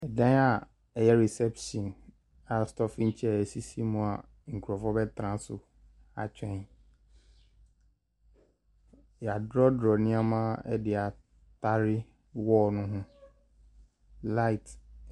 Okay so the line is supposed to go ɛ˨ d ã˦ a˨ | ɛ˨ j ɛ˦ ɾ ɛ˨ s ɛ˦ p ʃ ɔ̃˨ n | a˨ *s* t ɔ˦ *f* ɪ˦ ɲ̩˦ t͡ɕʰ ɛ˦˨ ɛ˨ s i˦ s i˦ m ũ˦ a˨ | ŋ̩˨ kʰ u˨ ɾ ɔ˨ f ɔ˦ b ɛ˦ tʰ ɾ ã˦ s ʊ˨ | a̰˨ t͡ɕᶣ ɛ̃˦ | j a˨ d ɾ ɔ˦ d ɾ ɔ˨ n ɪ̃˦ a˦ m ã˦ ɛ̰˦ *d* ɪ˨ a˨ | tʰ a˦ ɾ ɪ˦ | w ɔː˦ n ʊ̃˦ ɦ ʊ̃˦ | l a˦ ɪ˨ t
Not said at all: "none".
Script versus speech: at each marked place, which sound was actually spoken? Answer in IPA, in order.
s, f, d

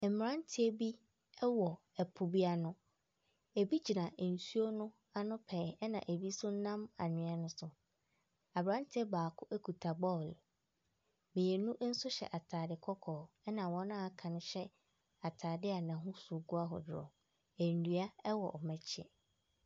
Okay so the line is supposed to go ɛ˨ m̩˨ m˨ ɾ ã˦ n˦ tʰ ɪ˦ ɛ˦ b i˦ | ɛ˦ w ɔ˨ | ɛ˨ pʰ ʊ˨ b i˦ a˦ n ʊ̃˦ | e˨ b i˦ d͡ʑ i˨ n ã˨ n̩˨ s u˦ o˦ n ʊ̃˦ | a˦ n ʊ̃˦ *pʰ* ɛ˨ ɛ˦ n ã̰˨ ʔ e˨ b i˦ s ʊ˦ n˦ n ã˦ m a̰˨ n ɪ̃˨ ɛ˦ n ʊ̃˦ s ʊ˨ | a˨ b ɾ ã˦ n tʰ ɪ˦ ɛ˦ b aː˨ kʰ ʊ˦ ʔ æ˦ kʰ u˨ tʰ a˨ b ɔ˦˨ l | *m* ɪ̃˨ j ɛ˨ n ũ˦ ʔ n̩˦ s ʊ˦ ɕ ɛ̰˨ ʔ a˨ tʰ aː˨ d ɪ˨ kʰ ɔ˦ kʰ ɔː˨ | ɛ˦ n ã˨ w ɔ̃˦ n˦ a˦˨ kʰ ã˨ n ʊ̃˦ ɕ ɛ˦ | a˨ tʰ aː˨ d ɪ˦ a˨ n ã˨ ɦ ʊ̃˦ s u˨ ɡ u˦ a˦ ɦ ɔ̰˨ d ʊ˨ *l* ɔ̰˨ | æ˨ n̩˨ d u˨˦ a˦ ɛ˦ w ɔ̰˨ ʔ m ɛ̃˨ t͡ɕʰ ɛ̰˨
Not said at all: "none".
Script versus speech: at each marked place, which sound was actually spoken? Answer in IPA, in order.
pʰ, m, ɾ

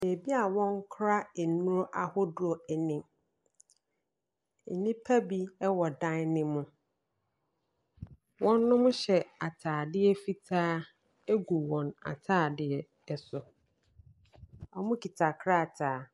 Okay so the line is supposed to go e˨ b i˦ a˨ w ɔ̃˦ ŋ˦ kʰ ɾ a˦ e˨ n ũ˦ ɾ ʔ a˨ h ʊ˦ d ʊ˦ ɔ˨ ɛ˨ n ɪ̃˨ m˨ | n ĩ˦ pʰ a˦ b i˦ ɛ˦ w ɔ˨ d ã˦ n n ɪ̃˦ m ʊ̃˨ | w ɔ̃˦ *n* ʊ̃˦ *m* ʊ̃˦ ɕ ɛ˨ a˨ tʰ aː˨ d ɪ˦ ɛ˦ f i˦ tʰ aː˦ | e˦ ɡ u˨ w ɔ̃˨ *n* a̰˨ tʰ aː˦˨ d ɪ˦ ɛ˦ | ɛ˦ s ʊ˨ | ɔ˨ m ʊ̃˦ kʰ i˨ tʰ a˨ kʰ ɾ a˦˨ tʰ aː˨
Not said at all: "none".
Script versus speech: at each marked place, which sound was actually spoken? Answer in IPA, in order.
nː, m, n

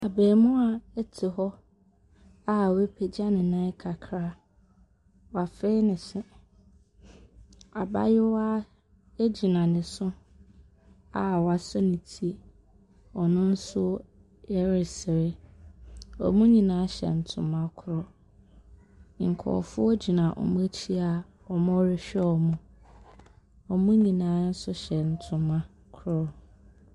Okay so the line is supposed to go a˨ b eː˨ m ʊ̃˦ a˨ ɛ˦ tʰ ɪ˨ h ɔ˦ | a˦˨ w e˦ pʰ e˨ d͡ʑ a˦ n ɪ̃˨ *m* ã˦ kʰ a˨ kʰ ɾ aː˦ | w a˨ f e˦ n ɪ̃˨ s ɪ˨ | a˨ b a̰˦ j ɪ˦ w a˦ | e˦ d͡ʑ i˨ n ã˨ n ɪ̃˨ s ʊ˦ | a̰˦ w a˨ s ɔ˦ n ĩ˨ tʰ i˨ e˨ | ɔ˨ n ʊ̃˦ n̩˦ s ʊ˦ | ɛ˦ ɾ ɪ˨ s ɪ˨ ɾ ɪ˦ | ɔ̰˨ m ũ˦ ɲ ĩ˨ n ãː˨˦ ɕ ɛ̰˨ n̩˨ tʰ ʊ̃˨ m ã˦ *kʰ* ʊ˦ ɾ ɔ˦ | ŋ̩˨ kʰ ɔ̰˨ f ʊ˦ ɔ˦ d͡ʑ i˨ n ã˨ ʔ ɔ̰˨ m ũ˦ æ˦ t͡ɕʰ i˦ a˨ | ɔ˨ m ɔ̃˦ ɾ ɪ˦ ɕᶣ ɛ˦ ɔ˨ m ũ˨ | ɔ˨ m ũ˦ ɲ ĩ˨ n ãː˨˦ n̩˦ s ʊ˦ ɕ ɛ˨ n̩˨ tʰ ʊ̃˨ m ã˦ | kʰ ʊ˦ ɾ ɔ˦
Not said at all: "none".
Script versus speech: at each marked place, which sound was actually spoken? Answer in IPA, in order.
n, kʰ

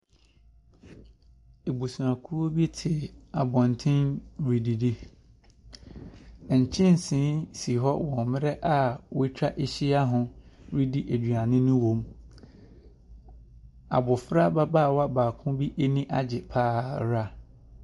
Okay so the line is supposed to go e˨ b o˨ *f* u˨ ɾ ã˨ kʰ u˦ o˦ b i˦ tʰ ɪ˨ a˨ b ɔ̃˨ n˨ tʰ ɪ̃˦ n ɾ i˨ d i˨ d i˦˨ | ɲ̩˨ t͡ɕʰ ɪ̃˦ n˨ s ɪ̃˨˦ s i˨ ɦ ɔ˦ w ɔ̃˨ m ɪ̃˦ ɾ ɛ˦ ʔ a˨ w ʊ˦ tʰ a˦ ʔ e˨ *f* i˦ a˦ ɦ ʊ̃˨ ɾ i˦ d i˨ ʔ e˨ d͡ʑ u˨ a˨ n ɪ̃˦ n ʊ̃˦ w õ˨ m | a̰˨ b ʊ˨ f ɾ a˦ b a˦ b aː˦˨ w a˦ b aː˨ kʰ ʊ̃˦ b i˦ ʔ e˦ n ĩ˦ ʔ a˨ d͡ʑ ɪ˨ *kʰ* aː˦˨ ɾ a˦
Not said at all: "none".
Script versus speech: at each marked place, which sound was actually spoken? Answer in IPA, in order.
s, ɕ, pʰ

